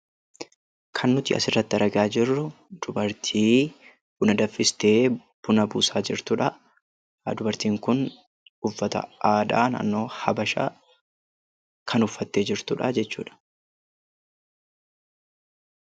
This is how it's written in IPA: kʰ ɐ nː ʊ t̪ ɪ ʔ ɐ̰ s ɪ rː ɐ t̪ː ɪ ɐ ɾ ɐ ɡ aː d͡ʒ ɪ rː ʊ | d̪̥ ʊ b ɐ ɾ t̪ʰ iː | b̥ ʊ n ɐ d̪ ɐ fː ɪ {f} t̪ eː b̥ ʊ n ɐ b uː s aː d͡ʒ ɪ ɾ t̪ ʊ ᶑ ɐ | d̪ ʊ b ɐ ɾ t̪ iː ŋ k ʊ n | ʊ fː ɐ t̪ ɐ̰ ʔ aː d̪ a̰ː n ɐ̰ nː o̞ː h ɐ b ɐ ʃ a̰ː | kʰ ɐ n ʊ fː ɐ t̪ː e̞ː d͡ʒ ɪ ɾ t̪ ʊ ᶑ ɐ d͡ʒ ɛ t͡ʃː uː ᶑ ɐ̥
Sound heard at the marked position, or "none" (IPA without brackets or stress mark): s